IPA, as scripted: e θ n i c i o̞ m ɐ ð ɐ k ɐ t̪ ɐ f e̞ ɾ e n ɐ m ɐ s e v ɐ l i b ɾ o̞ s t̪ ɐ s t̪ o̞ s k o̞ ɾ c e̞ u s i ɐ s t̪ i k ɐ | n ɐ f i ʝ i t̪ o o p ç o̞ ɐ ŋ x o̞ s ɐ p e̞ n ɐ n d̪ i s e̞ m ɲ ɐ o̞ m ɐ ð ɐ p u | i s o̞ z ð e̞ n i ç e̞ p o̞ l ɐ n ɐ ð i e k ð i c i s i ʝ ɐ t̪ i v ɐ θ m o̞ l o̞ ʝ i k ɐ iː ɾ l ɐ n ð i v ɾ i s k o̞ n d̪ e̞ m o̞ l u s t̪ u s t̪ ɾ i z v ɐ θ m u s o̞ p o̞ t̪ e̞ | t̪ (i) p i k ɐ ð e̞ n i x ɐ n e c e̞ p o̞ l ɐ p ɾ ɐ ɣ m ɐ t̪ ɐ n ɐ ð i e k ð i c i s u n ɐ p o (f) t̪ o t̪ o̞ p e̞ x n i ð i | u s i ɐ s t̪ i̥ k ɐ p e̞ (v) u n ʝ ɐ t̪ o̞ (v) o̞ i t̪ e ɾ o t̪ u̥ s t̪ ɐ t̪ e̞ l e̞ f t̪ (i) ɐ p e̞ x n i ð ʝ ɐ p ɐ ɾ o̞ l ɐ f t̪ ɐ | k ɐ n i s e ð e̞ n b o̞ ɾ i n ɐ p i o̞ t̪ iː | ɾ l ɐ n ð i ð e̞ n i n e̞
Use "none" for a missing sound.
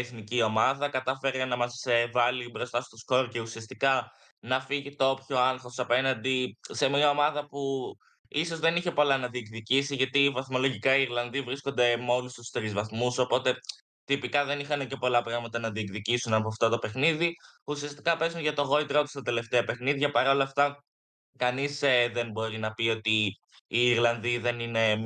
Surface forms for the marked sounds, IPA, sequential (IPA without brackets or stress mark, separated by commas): i, f, z, ɣ, e